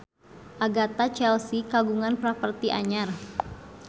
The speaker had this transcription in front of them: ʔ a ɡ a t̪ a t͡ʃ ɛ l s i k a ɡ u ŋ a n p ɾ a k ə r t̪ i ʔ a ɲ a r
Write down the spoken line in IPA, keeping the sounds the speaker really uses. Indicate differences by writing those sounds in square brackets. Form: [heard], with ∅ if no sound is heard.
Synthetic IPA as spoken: ʔ a ɡ a t̪ a t͡ʃ ɛ l s i k a ɡ u ŋ a n p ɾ a [p] ə r t̪ i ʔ a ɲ a r